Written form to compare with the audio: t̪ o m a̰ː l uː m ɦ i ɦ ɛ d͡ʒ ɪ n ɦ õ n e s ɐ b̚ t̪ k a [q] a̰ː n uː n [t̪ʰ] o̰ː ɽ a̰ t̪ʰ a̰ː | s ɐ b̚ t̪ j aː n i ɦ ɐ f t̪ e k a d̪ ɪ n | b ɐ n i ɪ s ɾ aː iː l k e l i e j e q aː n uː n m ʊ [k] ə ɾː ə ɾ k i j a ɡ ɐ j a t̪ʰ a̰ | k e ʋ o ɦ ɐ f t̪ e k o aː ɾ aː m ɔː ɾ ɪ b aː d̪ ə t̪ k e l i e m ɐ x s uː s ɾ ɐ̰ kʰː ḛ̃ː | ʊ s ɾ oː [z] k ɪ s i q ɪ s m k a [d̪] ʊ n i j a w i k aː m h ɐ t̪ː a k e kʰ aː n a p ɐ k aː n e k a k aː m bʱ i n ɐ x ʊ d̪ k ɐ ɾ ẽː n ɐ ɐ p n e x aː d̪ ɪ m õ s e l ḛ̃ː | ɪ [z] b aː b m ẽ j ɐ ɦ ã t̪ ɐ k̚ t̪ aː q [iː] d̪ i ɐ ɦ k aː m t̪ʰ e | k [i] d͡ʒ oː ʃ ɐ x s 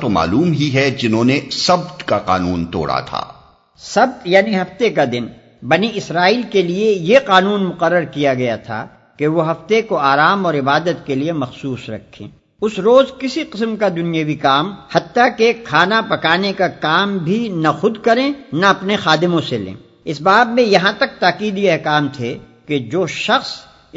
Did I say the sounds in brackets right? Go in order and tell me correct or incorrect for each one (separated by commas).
correct, incorrect, incorrect, correct, correct, incorrect, correct, incorrect